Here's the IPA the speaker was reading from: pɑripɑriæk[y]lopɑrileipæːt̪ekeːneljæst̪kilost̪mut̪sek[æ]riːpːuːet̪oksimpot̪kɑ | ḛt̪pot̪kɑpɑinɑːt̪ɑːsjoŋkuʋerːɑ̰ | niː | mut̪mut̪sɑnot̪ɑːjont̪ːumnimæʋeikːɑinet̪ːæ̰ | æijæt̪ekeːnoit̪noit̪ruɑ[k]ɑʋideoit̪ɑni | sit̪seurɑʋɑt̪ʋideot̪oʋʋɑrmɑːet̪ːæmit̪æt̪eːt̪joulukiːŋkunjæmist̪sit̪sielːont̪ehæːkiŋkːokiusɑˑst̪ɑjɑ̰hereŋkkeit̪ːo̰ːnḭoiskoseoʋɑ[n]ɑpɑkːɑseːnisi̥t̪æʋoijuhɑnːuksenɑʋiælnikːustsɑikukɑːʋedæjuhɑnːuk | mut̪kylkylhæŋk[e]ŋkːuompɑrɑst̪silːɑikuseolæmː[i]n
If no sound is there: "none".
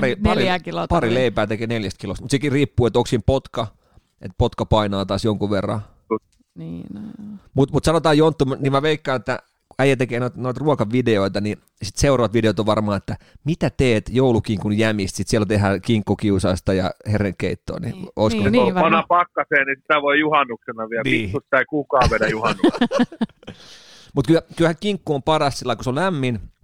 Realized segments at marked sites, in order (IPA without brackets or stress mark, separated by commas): i, i, k, n, i, i